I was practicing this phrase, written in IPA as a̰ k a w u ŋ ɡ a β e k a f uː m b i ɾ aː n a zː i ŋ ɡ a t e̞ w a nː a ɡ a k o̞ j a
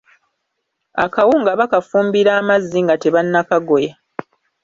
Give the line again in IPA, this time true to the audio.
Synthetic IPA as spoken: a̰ k a w u ŋ ɡ a β a k a f uː m b i ɾ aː m a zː i ŋ ɡ a t e̞ β a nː a k a ɡ o̞ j a